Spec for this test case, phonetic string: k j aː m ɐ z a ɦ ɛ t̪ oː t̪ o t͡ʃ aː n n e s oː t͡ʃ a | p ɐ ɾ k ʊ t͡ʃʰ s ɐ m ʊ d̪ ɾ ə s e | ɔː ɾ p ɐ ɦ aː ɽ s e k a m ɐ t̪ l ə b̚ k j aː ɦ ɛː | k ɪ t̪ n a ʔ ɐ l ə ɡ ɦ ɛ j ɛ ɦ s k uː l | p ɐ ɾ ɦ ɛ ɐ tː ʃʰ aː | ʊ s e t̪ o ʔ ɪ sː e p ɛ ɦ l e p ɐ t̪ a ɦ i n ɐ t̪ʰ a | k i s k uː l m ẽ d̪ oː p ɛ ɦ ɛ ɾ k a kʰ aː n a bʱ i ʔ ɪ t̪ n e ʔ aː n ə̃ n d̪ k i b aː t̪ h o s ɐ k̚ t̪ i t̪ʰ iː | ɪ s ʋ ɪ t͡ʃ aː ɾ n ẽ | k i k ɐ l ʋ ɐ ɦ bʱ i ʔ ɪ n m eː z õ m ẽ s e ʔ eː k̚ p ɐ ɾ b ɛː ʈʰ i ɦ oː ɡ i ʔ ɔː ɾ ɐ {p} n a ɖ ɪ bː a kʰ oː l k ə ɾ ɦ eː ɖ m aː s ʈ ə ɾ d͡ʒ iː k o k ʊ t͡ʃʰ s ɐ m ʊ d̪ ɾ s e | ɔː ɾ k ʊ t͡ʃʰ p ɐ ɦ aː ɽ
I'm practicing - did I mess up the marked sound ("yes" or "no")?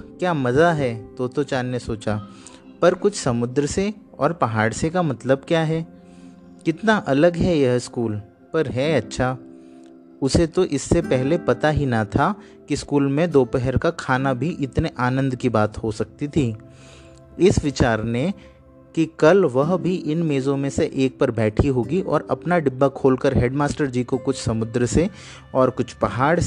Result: no